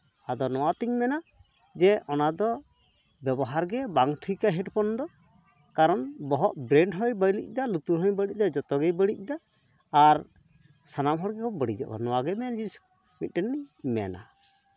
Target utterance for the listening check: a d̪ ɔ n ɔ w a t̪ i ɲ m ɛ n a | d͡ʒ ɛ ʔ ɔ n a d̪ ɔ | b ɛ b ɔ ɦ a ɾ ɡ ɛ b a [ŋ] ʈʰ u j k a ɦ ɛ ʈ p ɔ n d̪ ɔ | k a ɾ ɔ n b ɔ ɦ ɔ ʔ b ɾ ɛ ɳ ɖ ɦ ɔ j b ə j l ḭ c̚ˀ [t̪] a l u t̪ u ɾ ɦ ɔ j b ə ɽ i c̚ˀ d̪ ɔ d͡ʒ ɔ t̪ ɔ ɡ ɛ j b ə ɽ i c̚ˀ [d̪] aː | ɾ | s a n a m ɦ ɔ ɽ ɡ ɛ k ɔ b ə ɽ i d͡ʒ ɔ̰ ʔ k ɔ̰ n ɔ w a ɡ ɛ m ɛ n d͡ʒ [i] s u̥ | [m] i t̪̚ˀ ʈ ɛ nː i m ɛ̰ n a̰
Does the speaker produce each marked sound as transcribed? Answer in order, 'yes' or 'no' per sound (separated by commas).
yes, no, yes, yes, yes